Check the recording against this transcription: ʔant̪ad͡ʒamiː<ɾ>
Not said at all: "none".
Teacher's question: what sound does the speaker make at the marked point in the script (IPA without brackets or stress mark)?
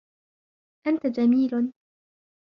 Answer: l